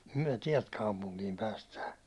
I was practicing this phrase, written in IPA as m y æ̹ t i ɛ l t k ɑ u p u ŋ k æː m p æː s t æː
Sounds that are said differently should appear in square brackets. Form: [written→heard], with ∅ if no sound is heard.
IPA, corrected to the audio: m y æ̹ t i ɛ l t k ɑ u p u ŋ k [æː→iː] m p æː s t æː